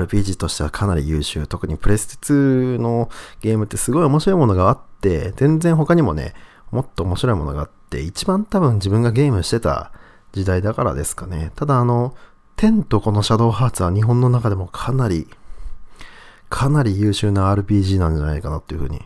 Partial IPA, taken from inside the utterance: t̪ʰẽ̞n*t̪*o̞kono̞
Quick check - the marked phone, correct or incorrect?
correct